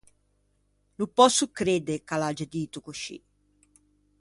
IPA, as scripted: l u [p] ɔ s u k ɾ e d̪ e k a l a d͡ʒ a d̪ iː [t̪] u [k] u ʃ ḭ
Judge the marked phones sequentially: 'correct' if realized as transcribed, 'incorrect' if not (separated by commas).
correct, correct, correct